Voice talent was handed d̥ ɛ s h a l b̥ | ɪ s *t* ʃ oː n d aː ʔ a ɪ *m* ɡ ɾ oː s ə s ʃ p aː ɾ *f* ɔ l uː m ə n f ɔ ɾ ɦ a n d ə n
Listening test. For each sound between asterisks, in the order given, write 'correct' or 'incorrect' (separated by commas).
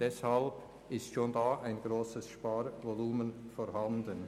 correct, incorrect, incorrect